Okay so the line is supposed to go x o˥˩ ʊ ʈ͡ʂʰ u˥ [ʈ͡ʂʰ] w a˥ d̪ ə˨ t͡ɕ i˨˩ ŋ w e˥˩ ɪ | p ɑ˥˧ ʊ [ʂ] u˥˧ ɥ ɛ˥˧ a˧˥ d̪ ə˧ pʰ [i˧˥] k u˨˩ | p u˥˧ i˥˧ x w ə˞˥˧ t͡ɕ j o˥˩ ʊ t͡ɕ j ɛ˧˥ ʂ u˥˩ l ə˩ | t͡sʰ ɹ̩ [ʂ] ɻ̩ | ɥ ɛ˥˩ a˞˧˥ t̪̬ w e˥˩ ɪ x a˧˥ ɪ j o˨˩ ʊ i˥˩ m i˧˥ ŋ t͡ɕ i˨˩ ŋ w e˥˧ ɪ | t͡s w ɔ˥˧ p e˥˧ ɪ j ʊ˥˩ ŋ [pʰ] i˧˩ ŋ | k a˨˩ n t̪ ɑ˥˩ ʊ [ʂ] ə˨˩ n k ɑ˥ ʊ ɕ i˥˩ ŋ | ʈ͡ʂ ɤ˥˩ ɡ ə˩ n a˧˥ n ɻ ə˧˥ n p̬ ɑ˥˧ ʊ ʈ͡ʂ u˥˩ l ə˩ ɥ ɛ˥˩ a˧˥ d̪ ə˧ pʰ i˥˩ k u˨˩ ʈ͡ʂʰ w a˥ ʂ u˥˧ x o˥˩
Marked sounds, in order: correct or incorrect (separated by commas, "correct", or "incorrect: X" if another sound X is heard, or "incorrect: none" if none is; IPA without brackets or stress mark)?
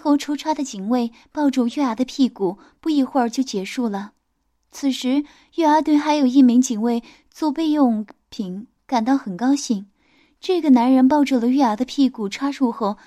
correct, incorrect: ʈ͡ʂ, incorrect: i˥˩, correct, correct, incorrect: x